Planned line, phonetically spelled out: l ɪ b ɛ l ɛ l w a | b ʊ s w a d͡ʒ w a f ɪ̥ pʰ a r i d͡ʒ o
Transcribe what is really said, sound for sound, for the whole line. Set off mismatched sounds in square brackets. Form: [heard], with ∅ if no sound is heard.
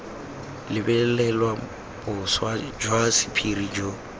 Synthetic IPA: l ɪ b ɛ l ɛ l w a | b ʊ s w a d͡ʒ w a [s] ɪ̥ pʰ [i] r i d͡ʒ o